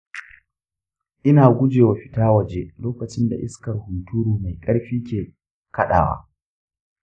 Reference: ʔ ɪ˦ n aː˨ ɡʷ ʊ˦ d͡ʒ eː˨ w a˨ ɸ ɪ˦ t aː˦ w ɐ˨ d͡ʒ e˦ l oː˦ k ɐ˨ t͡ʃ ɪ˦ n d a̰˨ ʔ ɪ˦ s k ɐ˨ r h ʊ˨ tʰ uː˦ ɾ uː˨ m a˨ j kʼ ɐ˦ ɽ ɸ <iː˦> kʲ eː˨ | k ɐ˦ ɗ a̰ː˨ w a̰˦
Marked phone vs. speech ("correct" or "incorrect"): correct